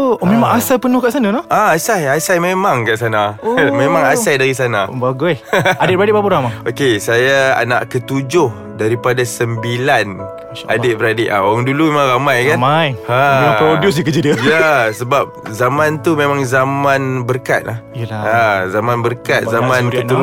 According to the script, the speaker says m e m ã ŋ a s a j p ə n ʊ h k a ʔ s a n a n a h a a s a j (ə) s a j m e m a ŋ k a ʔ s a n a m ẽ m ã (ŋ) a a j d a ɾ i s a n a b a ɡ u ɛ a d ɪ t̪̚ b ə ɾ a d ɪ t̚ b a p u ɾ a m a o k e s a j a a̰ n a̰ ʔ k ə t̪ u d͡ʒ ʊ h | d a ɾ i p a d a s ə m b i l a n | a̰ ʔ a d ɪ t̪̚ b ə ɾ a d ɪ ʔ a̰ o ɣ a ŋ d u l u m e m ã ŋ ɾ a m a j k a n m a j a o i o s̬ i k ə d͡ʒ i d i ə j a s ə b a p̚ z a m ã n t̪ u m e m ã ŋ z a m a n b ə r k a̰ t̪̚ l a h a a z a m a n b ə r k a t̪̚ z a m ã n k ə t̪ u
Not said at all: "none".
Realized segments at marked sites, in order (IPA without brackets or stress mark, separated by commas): a, ŋ